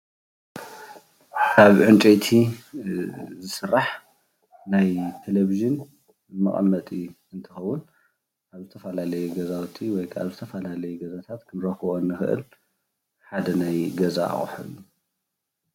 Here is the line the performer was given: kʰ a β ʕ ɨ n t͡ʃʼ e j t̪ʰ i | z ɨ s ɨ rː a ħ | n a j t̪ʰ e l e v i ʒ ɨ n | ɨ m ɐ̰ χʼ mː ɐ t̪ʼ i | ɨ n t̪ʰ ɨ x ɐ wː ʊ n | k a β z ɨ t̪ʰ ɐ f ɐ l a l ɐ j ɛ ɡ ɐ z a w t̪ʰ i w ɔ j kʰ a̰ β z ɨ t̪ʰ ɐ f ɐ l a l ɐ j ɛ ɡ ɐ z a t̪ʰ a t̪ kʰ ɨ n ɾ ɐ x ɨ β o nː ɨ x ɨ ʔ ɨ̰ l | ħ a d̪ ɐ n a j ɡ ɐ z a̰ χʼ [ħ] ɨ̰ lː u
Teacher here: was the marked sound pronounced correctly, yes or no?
yes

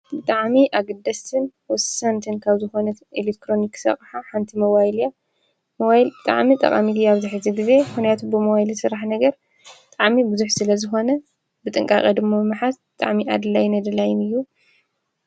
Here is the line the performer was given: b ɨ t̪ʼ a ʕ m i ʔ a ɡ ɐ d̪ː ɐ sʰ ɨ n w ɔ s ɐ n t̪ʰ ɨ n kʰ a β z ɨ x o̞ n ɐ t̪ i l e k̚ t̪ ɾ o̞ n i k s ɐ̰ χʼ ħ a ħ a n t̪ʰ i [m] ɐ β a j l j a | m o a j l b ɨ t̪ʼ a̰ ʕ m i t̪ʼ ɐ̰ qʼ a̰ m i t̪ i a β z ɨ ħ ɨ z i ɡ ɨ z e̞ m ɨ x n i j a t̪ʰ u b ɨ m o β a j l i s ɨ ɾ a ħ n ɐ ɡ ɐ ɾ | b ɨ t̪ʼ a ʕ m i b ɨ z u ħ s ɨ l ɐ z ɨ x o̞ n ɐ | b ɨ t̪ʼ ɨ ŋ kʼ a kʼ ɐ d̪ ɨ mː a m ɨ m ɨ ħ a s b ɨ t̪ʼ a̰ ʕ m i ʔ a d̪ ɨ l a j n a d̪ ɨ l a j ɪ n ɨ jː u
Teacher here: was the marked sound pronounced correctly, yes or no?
yes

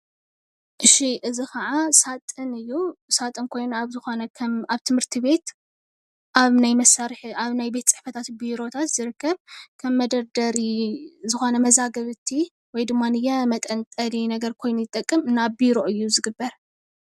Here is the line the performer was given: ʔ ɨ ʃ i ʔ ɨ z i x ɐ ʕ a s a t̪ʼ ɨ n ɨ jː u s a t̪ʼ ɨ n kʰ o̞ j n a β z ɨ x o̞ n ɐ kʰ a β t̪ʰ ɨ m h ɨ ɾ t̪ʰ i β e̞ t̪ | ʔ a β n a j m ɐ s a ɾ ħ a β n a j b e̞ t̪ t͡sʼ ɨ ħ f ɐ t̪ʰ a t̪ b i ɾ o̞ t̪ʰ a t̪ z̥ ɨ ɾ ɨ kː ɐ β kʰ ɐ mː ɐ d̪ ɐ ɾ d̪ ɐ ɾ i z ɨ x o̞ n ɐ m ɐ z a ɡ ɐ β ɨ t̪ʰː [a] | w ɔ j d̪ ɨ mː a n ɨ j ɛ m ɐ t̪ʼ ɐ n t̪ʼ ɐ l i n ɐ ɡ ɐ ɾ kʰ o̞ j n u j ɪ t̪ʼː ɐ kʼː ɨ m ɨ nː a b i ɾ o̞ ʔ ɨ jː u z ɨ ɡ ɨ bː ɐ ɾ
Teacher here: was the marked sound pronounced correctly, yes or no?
no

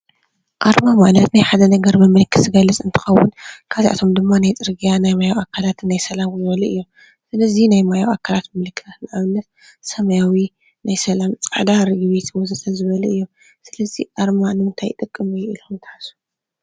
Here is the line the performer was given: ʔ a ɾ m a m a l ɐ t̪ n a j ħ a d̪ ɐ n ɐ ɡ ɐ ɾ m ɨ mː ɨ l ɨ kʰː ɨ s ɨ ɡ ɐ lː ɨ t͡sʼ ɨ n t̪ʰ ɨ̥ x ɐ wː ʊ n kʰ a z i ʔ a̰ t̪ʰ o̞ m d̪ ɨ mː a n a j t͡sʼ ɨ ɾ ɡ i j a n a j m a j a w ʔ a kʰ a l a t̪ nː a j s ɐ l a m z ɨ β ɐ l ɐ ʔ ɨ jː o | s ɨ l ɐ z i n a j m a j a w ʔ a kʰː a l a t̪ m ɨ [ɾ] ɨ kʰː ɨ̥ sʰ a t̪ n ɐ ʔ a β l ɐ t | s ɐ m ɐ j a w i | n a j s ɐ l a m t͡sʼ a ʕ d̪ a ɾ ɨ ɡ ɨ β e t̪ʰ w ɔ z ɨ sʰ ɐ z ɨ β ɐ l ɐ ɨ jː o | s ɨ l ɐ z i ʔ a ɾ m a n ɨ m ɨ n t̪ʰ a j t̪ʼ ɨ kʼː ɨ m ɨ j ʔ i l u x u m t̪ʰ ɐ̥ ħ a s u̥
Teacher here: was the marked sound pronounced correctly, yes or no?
no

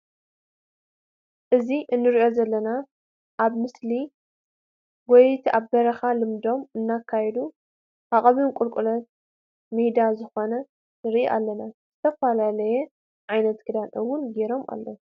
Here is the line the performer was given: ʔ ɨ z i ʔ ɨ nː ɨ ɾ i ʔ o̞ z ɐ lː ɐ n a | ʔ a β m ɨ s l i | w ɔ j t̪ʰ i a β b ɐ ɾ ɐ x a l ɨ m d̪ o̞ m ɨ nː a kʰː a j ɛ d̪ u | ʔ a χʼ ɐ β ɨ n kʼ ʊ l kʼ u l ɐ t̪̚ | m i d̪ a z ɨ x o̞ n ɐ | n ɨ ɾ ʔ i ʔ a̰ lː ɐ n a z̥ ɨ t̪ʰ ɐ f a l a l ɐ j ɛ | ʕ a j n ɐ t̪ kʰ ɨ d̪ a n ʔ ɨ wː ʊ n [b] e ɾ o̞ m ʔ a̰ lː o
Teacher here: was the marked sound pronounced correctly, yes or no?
no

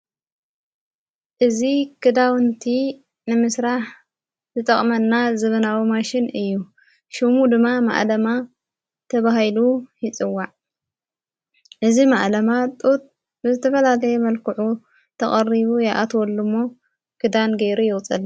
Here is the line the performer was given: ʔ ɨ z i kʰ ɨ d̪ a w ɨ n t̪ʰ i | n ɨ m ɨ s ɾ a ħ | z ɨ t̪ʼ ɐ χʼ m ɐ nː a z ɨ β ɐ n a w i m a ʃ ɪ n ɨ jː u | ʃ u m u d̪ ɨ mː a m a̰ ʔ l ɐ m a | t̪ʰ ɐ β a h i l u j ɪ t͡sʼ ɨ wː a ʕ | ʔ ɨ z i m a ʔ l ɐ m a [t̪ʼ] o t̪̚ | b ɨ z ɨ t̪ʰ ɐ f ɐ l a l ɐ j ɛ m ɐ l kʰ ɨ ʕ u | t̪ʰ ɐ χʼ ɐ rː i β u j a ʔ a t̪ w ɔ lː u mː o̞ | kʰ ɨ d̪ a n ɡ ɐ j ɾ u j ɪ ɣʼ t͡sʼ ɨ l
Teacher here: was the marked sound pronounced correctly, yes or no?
yes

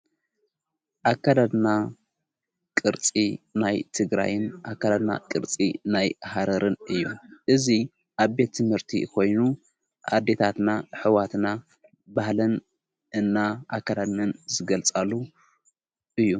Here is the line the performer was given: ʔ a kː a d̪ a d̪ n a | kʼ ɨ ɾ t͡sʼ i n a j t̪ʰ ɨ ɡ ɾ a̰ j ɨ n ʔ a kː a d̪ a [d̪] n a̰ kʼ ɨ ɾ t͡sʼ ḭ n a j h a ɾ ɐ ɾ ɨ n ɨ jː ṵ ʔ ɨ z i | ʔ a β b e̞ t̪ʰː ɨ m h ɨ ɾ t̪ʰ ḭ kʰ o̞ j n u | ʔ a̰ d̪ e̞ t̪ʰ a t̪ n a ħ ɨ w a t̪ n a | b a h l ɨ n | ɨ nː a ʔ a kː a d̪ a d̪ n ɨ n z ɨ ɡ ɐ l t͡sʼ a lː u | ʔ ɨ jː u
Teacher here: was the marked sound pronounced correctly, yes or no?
yes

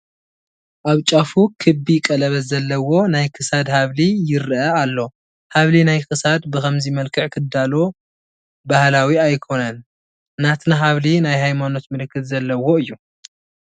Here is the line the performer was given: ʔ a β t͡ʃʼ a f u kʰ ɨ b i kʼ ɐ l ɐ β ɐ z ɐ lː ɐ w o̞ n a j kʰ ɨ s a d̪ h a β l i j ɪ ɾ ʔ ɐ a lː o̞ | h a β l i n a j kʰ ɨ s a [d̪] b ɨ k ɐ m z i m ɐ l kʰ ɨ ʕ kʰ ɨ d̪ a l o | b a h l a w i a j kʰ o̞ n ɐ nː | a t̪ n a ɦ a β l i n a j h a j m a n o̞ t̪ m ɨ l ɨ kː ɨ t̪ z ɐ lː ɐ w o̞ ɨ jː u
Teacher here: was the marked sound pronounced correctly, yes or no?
yes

